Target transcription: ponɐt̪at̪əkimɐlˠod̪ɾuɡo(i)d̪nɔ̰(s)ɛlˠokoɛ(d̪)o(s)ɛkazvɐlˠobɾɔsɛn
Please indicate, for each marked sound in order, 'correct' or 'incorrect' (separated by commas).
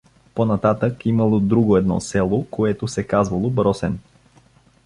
incorrect, correct, incorrect, correct